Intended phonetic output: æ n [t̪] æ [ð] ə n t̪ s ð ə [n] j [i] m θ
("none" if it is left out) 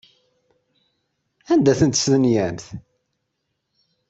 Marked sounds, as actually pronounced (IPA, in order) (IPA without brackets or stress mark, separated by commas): d̪, θ, n, æ